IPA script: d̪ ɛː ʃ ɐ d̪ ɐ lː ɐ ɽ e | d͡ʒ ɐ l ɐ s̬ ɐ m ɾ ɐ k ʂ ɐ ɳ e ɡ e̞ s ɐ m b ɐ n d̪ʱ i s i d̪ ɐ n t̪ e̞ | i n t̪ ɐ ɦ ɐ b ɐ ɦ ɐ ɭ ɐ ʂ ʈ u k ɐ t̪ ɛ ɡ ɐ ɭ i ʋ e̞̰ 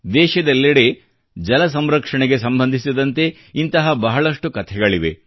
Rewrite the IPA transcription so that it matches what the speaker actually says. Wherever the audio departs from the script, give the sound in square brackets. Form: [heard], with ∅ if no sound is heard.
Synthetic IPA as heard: d̪ ɛː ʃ ɐ d̪ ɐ lː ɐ ɽ e | d͡ʒ ɐ l ɐ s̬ ɐ m ɾ ɐ k ʂ ɐ ɳ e ɡ e̞ s ɐ m b ɐ n d̪ʱ i s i d̪ ɐ n t̪ e̞ | i n t̪ ɐ ɦ ɐ b ɐ ɦ ɐ ɭ ɐ ʂ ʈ u k ɐ [t̪ʰ] ɛ ɡ ɐ ɭ i ʋ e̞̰